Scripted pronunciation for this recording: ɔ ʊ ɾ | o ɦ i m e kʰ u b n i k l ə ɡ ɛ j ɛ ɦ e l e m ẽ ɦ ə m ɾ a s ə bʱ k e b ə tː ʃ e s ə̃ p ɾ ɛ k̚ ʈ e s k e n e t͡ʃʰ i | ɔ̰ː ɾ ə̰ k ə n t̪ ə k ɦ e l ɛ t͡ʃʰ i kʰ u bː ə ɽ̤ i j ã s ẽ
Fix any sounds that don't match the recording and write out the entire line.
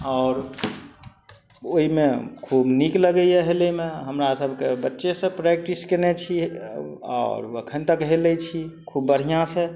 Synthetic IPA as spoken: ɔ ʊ ɾ | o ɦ i m e kʰ u b n i k l ə ɡ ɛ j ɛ ɦ e l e m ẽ ɦ ə m ɾ a s ə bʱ k e b ə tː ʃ e s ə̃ p ɾ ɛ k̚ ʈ i s k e n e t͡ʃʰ i | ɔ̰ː ɾ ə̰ kʰ ə n t̪ ə k ɦ e l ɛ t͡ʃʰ i kʰ u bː ə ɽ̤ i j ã s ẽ